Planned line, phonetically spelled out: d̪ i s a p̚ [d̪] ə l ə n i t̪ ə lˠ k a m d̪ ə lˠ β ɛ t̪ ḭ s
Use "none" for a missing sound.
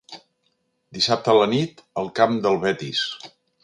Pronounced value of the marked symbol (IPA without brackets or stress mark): t̪